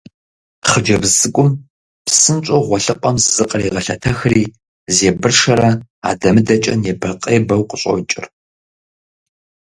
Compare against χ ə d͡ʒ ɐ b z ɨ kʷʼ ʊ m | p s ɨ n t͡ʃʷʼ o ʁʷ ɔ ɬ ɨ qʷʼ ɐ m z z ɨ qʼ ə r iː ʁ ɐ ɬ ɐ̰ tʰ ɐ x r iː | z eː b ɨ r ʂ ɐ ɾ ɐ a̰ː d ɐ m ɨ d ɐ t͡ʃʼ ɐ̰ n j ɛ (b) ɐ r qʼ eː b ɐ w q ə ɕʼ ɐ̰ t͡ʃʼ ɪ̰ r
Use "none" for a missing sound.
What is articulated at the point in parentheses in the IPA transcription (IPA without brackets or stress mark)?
b